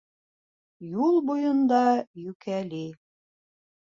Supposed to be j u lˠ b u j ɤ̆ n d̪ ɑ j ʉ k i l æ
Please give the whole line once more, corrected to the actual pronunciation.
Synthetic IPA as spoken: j u lˠ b u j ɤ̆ n d̪ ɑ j ʉ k æ l i